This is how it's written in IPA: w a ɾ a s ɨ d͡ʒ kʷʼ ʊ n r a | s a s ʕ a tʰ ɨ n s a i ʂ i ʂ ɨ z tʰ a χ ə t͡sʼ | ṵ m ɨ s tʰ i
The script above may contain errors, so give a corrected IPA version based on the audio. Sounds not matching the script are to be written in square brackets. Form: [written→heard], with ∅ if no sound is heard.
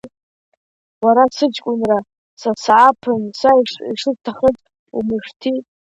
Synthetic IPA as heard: w a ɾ a s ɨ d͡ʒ kʷʼ ʊ n r a | s a s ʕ a [tʰ→pʰ] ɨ n s a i ʂ i ʂ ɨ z tʰ a χ ə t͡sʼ | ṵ m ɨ [s→ʂ] tʰ i